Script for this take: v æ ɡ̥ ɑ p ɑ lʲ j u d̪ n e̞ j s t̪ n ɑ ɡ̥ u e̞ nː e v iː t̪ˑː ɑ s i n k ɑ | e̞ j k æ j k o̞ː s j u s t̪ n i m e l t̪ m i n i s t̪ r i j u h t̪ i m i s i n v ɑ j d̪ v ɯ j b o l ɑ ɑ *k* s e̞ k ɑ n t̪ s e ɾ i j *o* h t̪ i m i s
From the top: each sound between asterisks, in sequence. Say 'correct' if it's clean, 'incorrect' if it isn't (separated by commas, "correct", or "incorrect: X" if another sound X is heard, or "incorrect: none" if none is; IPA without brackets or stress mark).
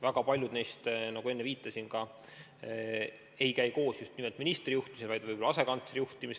incorrect: none, incorrect: u